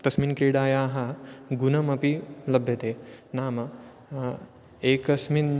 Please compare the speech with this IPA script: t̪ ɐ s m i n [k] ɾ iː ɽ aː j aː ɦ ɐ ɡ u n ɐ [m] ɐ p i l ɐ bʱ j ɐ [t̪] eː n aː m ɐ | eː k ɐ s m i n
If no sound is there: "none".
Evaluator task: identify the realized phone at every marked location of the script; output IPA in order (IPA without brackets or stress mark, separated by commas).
k, m, t̪